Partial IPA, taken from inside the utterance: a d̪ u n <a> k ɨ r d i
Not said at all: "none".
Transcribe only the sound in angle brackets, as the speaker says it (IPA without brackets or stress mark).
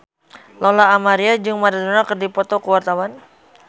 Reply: a